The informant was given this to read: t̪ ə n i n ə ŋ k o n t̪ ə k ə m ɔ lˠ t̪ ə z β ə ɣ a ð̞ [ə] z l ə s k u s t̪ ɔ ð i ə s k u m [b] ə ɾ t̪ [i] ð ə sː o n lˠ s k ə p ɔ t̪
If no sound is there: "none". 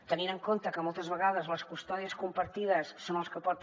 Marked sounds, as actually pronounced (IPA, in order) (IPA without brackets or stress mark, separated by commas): ə, p, i